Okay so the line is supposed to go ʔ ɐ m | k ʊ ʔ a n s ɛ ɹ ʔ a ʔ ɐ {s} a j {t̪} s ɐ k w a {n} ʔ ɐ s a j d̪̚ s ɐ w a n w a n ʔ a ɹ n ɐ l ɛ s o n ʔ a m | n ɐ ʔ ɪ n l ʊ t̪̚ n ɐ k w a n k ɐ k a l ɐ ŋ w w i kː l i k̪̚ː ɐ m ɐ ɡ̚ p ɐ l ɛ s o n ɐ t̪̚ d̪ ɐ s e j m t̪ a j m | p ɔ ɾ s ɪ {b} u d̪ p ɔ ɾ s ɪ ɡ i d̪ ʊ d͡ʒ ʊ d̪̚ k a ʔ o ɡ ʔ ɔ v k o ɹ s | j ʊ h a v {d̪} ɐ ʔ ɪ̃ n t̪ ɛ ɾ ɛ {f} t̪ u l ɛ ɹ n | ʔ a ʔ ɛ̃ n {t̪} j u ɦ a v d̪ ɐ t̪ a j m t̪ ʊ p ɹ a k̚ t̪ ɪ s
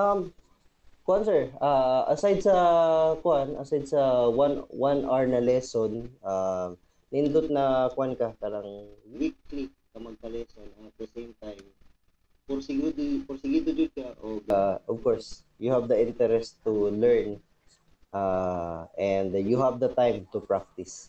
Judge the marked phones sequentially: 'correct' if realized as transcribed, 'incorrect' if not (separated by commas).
correct, incorrect, correct, incorrect, correct, incorrect, incorrect